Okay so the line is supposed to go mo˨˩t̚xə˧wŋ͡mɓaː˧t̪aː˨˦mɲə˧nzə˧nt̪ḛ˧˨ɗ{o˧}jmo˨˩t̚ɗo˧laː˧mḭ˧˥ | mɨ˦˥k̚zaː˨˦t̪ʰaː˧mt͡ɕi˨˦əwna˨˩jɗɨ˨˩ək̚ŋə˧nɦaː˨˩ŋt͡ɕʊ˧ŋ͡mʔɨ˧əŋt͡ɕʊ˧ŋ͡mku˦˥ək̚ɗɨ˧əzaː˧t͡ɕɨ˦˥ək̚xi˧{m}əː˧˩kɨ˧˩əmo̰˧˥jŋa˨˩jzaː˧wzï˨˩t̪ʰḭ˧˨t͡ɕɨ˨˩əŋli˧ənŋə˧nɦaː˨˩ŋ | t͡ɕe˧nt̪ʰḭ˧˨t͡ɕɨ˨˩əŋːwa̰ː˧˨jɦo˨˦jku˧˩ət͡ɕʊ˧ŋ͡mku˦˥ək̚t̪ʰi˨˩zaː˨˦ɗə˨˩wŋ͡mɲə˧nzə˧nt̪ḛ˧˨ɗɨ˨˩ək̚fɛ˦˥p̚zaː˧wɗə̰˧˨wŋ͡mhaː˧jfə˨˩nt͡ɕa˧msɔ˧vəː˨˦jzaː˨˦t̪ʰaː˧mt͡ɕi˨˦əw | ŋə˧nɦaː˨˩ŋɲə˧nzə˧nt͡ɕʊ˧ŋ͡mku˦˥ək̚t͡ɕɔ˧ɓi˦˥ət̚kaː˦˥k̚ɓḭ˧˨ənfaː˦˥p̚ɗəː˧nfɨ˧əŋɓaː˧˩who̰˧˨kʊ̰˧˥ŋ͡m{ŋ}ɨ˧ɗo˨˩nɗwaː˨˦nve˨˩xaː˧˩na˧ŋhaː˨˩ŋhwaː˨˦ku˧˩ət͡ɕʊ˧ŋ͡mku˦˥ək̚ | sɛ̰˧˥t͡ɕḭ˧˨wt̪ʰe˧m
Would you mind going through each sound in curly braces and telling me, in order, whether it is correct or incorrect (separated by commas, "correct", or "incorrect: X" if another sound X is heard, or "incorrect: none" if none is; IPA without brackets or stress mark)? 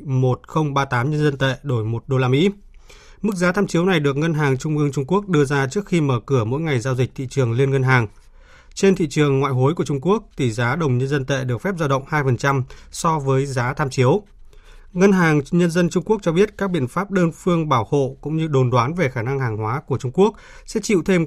incorrect: o˧˩, correct, incorrect: ɲ